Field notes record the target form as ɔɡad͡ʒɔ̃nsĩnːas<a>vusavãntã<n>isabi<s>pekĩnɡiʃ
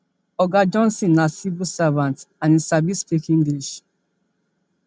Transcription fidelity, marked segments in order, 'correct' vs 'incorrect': incorrect, correct, correct

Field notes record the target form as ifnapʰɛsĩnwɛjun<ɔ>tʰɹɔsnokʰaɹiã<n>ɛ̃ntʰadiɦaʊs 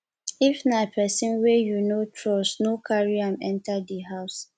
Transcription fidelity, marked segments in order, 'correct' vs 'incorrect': incorrect, incorrect

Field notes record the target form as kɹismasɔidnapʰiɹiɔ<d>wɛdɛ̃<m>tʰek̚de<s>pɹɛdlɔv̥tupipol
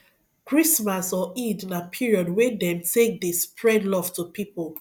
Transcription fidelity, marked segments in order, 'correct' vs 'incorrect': correct, correct, correct

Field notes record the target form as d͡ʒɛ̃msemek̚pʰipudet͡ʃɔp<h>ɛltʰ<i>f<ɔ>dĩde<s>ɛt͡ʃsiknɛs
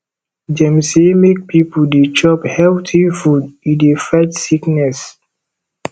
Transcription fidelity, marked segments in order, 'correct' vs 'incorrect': correct, correct, incorrect, incorrect

